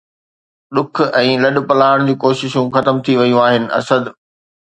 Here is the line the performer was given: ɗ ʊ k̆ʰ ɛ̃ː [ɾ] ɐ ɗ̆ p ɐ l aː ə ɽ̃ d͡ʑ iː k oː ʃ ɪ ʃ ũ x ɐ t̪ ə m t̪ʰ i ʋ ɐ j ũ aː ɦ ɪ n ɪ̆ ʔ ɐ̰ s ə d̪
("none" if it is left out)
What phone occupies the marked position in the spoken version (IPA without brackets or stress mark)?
l